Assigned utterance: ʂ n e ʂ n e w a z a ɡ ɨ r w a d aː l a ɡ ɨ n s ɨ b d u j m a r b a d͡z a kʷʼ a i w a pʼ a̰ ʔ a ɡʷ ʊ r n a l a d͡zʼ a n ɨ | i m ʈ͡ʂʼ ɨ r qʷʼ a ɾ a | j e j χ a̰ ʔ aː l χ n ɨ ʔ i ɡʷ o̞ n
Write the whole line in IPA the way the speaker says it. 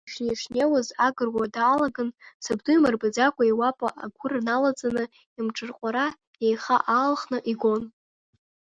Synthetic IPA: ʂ n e ʂ n e w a z a ɡ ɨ r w a d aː l a ɡ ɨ n s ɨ b d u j m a r b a d͡z a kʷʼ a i w a pʼ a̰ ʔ a ɡʷ ʊ r n a l a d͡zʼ a n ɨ | i m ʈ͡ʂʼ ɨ r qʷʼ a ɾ a | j e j χ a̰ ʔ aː l χ n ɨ ʔ i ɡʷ o̞ n